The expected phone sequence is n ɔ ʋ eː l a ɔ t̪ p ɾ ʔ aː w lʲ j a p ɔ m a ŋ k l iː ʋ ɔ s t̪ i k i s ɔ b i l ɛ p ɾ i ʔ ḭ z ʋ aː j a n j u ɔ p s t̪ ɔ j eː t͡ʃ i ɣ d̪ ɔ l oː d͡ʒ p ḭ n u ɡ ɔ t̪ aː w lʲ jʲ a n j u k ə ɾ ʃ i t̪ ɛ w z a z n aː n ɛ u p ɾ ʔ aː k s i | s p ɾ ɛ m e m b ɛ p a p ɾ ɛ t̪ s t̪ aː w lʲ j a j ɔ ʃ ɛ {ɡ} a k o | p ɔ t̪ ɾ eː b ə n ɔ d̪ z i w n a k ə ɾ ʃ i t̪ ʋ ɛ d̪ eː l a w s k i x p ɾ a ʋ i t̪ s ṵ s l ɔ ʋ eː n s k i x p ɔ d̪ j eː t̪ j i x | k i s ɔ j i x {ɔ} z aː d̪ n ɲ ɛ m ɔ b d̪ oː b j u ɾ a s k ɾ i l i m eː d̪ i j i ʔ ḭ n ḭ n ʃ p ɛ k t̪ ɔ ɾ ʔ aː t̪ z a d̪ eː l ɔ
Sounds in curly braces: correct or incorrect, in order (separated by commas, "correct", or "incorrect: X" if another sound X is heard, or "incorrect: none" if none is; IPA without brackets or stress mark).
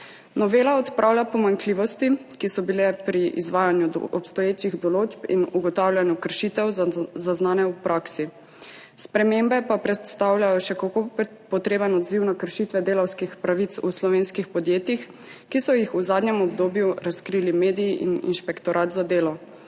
incorrect: k, incorrect: u